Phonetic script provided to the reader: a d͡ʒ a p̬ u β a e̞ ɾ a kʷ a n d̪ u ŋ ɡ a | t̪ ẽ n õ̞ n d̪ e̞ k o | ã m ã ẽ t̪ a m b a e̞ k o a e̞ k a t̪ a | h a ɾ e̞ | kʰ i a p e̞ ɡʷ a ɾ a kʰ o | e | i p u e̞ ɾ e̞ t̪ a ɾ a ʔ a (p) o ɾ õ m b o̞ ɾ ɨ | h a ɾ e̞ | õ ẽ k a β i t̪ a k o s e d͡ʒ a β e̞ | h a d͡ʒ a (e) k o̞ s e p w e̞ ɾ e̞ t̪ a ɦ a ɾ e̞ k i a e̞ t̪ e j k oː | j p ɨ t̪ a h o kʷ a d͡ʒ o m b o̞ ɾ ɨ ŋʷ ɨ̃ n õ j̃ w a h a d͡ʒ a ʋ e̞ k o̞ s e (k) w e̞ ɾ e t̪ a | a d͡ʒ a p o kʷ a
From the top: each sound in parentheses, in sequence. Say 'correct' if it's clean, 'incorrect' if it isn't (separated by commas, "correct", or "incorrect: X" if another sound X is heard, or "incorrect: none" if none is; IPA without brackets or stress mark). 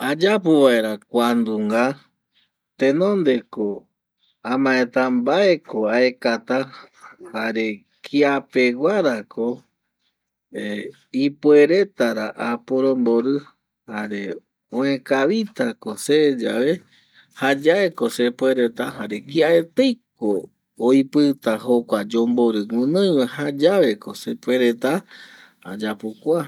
correct, correct, incorrect: p